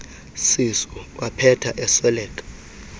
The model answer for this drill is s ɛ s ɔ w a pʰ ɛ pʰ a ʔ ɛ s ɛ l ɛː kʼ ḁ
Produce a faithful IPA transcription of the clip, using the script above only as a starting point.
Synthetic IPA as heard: s i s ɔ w a pʰ ɛ tʰ a ʔ ɛ s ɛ l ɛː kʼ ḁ